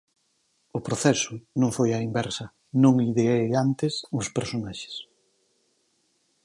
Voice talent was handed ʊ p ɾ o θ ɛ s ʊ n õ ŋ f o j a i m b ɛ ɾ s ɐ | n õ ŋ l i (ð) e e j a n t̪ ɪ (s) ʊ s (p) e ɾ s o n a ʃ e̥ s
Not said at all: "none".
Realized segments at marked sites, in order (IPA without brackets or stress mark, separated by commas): ð, s, p